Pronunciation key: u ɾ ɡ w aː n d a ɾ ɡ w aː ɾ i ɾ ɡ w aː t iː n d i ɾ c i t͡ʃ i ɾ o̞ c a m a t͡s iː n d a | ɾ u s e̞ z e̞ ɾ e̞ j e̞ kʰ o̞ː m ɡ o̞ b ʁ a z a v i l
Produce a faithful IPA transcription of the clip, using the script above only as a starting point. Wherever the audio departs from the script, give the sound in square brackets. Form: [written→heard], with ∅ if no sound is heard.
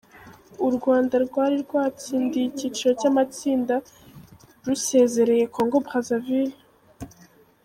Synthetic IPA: u ɾ ɡ w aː n d a ɾ ɡ w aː ɾ i ɾ ɡ w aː [t→t͡s] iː n d i [ɾ→∅] c i t͡ʃ i ɾ o̞ c a m a t͡s iː n d a | ɾ u s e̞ z e̞ ɾ e̞ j e̞ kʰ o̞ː [m→ŋ] ɡ o̞ b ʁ a z a v i l